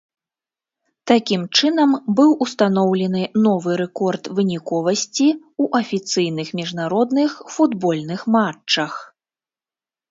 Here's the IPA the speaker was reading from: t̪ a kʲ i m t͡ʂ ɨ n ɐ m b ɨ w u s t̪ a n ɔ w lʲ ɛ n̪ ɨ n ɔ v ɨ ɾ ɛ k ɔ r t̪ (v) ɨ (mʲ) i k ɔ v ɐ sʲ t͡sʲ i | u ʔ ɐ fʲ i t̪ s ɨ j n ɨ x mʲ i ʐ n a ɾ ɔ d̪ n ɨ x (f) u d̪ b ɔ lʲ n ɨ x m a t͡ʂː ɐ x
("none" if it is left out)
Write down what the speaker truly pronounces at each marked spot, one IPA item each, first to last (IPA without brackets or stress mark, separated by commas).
v, nʲ, f